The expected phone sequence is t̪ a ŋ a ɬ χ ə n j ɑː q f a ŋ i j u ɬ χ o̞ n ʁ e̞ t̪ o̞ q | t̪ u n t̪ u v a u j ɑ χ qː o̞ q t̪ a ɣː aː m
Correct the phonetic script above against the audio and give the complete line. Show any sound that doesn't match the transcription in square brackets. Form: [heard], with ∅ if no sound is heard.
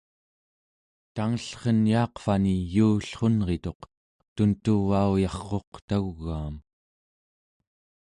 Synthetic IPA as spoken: t̪ a ŋ [ə] ɬ χ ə n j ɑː q f a [n] i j [uː] ɬ χ o̞ n ʁ e̞ t̪ o̞ q | t̪ u n t̪ u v a u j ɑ χ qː o̞ q t̪ a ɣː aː m